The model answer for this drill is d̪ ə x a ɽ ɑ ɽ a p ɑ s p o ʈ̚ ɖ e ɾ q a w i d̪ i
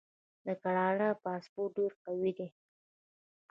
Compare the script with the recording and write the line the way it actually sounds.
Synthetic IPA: d̪ ə k a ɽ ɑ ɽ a p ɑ s p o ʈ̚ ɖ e ɾ q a w i d̪ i